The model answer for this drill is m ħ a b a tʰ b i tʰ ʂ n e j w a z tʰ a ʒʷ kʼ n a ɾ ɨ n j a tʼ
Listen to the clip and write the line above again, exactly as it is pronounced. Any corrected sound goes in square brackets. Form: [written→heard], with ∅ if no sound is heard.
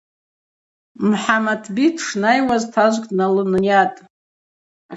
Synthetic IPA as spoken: m ħ a [b→m] a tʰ b i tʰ ʂ n [e→a] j w a z tʰ a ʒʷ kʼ n a [ɾ→l] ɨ n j a tʼ